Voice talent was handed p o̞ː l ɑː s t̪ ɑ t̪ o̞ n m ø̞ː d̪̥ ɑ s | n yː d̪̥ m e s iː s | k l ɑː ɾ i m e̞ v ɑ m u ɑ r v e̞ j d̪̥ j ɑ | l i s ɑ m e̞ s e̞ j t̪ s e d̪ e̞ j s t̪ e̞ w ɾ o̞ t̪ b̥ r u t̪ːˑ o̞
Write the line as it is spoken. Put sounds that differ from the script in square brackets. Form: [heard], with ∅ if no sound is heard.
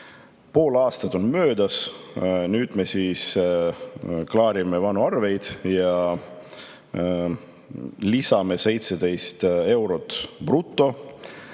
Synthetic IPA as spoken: p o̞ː l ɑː s t̪ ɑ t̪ o̞ n m ø̞ː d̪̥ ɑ s | n yː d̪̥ m e s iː s | k l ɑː ɾ i m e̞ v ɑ [n] u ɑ r v e̞ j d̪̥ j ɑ | l i s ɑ m e̞ s e̞ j t̪ s e d̪ e̞ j s t̪ e̞ w ɾ o̞ t̪ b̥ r u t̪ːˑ o̞